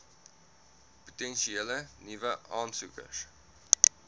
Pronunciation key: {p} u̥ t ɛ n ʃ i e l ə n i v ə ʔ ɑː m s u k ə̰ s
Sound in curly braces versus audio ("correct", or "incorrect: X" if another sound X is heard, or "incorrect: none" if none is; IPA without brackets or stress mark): correct